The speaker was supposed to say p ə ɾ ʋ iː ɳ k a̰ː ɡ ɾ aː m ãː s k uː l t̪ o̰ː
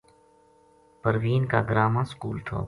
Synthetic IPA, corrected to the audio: p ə ɾ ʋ iː n k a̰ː ɡ ɾ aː m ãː s k uː l t̪ʰ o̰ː